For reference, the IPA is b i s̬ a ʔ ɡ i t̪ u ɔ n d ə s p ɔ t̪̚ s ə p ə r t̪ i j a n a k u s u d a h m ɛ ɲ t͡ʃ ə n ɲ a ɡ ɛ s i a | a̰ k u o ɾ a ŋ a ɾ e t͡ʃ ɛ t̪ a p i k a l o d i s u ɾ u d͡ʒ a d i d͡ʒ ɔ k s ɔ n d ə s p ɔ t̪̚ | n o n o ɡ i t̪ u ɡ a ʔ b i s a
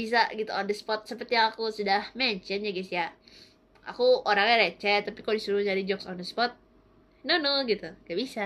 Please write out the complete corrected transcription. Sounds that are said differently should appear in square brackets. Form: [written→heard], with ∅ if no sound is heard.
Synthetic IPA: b i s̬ a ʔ ɡ i t̪ u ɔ n d ə s p ɔ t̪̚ s ə p ə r t̪ i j a [n→ŋ] a k u s u d a h m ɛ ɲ t͡ʃ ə n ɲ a ɡ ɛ s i a | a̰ k u o ɾ a ŋ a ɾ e t͡ʃ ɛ t̪ a p i k a l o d i s u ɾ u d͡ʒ a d i d͡ʒ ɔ k s ɔ n d ə s p ɔ t̪̚ | n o n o ɡ i t̪ u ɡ a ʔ b i s a